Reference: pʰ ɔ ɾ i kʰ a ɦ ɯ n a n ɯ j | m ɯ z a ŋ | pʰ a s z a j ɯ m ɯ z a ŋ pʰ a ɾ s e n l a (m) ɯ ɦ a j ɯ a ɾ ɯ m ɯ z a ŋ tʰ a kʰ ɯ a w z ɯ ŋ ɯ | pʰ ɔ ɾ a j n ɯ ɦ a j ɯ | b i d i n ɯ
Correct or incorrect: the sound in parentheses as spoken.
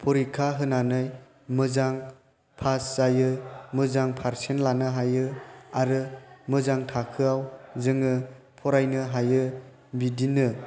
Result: incorrect: n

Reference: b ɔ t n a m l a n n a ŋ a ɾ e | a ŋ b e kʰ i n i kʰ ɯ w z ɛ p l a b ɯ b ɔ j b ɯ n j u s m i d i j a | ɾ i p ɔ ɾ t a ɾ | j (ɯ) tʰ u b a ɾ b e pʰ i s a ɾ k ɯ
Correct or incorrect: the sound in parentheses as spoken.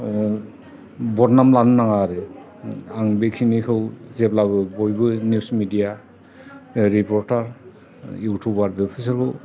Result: incorrect: u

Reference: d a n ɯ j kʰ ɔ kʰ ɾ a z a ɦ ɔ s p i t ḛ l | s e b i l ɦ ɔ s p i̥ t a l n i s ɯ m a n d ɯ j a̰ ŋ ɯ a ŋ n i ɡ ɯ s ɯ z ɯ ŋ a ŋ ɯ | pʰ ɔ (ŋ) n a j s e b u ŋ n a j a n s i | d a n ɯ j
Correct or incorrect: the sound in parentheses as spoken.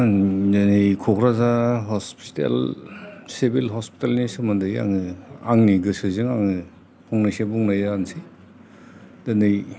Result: correct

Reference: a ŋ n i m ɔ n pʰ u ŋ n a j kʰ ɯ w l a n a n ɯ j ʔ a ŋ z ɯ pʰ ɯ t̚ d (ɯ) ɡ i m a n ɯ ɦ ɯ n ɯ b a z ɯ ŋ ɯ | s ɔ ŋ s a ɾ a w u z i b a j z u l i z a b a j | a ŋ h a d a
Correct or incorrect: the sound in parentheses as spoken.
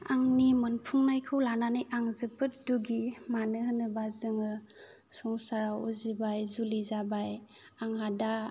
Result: incorrect: u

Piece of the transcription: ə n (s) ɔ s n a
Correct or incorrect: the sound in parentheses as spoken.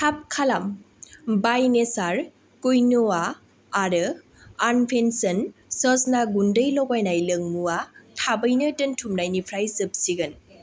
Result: correct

